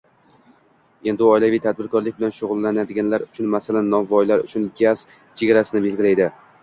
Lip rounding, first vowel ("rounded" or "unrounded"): unrounded